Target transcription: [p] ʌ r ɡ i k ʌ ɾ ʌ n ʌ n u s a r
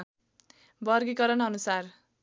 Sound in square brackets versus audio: incorrect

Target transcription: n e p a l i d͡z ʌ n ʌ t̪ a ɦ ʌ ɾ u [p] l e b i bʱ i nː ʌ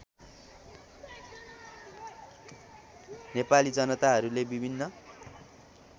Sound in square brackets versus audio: incorrect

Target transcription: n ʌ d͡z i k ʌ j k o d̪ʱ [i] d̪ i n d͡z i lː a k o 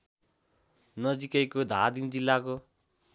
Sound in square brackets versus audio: incorrect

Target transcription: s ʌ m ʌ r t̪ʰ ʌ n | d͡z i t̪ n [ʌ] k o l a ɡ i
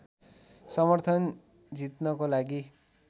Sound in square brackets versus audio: correct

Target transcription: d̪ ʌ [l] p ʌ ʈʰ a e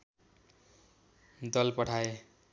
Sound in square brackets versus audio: correct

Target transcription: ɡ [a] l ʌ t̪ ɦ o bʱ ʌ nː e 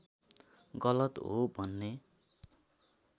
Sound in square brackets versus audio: incorrect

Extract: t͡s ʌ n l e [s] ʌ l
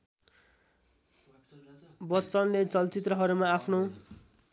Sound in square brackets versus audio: incorrect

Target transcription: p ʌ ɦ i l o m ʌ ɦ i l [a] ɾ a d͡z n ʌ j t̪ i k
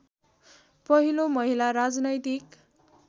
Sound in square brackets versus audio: correct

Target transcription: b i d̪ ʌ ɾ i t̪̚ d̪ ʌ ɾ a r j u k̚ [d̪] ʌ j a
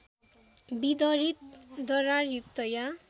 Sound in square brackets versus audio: incorrect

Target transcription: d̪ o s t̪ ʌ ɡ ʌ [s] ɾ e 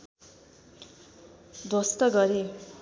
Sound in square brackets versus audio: incorrect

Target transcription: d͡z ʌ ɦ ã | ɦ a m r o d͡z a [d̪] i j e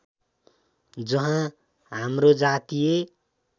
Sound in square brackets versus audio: incorrect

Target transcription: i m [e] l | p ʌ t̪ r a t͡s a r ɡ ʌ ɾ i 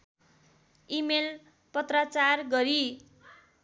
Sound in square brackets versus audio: correct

